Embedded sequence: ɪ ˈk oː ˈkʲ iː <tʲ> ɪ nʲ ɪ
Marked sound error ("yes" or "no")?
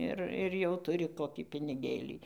yes